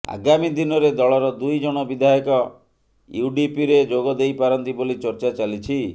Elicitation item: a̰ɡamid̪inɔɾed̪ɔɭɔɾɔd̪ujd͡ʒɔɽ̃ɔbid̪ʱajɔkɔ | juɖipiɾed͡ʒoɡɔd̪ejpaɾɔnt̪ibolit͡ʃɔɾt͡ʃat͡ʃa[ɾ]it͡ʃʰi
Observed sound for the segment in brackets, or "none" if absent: l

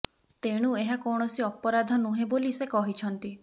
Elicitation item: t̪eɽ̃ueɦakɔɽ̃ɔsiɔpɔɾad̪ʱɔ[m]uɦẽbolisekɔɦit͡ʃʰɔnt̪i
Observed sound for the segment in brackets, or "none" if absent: n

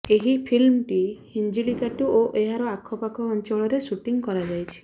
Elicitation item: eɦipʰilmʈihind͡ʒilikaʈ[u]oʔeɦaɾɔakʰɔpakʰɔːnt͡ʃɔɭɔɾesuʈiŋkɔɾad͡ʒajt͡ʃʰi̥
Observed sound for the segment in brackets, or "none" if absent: u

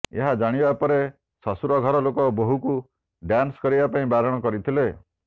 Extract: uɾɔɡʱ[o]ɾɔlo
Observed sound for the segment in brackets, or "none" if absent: ɔ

